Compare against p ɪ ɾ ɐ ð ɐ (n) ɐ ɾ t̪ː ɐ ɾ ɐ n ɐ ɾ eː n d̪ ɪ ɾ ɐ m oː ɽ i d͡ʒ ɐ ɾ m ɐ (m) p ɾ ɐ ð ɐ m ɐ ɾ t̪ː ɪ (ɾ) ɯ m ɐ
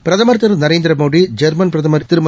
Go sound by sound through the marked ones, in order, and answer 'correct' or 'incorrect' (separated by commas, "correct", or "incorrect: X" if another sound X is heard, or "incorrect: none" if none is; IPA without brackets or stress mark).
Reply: incorrect: m, incorrect: n, correct